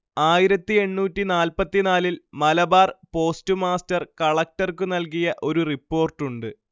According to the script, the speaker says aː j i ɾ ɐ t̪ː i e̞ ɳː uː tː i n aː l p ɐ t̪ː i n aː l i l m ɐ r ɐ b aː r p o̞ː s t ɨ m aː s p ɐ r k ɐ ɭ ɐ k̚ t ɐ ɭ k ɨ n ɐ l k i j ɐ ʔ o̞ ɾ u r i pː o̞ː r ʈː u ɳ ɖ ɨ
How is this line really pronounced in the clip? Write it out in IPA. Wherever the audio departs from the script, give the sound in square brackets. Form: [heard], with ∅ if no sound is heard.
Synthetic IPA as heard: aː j i ɾ ɐ t̪ː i e̞ ɳː uː tː i n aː l p ɐ t̪ː i n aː l i l m ɐ [l] ɐ b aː r p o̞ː s t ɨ m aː s [t] ɐ r k ɐ ɭ ɐ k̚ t ɐ [r] k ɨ n ɐ l k i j ɐ ʔ o̞ ɾ u r i pː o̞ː r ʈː u ɳ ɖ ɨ